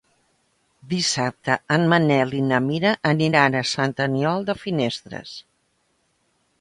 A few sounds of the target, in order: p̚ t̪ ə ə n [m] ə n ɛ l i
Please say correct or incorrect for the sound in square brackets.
correct